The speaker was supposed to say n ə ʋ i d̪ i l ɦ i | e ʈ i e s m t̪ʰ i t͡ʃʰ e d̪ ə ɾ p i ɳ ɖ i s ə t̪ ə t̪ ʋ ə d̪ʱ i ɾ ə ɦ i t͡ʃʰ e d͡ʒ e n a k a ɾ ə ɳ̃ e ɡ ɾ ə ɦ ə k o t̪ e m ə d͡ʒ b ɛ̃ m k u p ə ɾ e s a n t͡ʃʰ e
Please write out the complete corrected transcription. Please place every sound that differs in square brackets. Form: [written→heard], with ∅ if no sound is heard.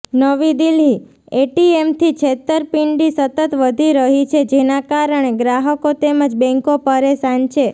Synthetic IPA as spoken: n ə ʋ i d̪ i l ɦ i | e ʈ i e [s→∅] m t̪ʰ i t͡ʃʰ e [d̪→t̪] ə ɾ p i ɳ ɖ i s ə t̪ ə t̪ ʋ ə d̪ʱ i ɾ ə ɦ i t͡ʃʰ e d͡ʒ e n a k a ɾ ə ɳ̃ e ɡ ɾ [ə→a] ɦ ə k o t̪ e m ə d͡ʒ b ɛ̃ [m→ŋ] k [u→o] p ə ɾ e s a n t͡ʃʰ e